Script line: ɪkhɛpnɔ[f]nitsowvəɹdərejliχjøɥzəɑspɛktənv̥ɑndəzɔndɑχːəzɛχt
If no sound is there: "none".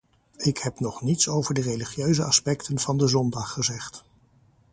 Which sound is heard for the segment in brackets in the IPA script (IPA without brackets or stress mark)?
χ